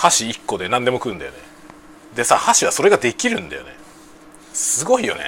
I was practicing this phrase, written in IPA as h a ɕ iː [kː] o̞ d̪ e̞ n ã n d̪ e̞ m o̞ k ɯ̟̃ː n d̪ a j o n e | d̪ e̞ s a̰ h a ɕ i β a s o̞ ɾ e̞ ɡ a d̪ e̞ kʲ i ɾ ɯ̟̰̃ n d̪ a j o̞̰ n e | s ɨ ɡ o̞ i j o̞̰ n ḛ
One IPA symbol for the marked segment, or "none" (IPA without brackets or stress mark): kː